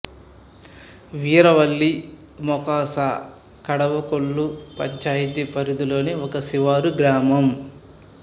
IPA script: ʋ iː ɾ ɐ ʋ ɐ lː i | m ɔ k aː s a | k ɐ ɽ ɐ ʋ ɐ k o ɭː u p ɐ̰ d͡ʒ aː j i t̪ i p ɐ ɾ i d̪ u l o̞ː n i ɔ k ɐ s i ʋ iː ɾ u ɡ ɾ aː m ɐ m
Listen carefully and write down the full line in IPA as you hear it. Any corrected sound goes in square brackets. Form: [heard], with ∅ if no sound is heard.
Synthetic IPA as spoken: ʋ iː ɾ ɐ ʋ ɐ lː i | m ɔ k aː s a | k ɐ ɽ ɐ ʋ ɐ k o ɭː u p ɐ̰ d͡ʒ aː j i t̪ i p ɐ ɾ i d̪ u l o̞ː n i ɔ k ɐ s i ʋ [aː] ɾ u ɡ ɾ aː m ɐ m